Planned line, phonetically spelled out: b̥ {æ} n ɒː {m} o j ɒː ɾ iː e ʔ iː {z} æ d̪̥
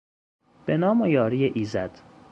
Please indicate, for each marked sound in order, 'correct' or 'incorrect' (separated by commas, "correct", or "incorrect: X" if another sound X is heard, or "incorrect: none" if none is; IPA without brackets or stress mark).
incorrect: e, correct, correct